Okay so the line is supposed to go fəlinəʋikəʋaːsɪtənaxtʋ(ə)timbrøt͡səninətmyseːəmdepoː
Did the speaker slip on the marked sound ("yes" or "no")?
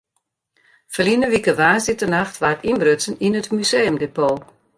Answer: yes